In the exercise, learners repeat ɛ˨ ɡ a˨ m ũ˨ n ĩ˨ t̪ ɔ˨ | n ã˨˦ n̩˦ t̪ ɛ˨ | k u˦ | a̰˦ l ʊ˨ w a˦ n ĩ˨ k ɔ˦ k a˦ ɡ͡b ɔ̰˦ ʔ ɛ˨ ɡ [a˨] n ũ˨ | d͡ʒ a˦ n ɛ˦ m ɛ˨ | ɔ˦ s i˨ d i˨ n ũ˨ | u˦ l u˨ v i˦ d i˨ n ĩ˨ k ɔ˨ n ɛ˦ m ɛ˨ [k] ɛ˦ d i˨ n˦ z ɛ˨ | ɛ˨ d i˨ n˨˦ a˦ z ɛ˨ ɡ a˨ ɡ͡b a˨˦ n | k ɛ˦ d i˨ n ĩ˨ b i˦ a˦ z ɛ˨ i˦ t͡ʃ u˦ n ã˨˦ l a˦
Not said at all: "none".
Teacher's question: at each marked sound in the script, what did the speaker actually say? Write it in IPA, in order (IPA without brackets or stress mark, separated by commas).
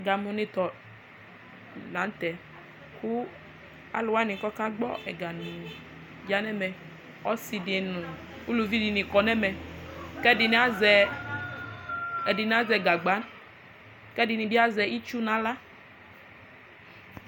a˨, k